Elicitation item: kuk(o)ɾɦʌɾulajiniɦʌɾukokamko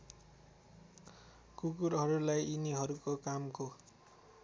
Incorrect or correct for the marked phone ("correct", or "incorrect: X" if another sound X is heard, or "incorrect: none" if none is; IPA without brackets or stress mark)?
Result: incorrect: u